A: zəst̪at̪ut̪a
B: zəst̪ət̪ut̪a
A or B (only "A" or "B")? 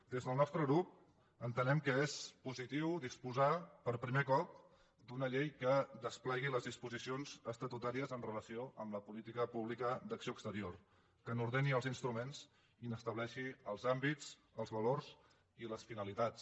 B